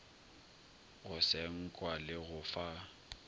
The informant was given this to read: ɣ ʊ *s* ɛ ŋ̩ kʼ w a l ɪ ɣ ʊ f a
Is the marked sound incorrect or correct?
correct